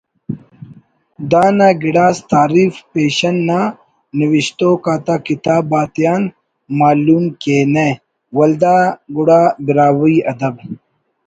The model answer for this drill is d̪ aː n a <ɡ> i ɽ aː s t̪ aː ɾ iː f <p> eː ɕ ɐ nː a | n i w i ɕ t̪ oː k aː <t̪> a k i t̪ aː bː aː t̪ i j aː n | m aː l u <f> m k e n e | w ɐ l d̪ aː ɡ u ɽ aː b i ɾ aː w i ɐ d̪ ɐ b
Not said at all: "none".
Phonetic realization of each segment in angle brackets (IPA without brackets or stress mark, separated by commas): ɡ, p, t̪, none